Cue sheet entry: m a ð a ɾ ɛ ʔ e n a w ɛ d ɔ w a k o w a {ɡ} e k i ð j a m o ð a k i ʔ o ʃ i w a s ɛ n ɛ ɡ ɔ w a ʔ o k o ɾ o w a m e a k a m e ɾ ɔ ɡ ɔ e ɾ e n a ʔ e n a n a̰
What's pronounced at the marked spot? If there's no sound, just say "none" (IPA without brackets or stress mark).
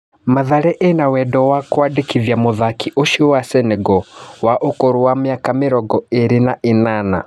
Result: d